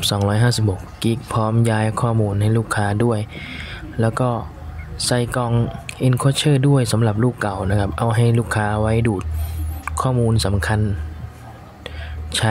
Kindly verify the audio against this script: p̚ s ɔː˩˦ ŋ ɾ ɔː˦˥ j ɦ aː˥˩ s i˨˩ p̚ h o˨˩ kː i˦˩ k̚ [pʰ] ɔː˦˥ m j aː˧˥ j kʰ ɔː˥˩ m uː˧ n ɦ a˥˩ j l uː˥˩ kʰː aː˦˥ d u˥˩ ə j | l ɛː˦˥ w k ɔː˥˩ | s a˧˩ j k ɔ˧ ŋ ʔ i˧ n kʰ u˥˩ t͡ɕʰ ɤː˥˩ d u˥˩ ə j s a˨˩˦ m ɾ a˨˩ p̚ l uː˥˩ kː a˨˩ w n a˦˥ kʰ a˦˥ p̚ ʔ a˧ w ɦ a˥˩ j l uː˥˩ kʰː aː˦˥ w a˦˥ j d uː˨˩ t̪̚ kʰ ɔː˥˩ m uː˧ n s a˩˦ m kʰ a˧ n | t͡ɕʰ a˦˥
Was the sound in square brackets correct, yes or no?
yes